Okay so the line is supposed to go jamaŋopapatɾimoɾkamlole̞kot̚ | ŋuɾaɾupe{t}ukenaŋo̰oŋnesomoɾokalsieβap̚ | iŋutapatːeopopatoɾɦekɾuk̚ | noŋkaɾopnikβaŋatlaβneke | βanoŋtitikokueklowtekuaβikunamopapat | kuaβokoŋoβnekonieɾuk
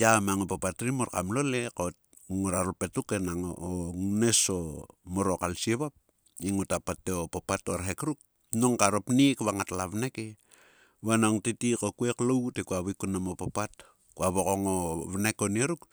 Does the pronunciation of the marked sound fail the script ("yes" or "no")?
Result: no